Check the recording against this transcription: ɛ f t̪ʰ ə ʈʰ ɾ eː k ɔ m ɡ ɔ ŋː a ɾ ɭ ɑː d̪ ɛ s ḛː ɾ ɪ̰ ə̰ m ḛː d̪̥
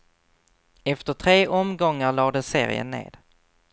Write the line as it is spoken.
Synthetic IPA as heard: ɛ f t̪ ə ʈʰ ɾ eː ʔ ɔ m ɡ ɔ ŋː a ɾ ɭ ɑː d̪ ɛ s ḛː ɾ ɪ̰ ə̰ n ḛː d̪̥